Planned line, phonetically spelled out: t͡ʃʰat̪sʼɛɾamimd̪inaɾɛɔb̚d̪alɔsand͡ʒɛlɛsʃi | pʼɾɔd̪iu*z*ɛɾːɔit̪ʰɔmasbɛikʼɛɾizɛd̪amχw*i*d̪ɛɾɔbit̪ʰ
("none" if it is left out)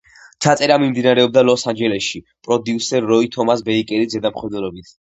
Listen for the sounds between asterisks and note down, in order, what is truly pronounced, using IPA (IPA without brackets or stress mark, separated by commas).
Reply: s, ɛ